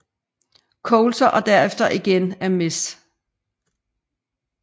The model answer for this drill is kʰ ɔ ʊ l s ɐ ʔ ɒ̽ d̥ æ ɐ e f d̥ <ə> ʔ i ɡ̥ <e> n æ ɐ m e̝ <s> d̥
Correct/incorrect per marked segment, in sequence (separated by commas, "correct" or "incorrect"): incorrect, correct, correct